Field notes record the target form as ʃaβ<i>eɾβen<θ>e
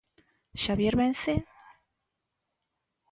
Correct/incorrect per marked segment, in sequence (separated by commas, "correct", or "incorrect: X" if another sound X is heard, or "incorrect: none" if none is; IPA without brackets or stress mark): incorrect: j, correct